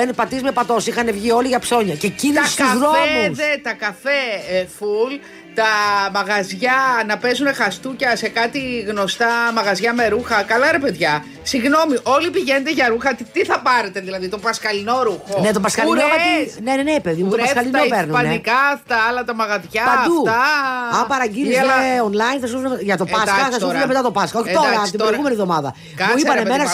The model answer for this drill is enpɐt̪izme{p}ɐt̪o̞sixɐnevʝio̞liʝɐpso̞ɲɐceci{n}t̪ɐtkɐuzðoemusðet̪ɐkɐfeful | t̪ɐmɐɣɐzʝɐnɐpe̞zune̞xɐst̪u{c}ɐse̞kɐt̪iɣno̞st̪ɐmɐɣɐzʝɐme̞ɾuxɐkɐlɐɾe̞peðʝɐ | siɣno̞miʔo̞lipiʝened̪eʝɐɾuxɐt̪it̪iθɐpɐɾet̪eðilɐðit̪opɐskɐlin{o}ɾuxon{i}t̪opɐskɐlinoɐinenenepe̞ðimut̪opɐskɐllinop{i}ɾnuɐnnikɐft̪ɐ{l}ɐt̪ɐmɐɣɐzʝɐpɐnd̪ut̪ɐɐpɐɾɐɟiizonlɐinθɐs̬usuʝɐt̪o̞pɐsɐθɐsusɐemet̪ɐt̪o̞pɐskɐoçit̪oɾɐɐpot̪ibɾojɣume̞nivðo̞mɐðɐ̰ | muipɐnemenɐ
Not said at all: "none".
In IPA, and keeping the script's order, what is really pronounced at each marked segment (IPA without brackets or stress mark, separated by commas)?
p, n, c, o, e, e, l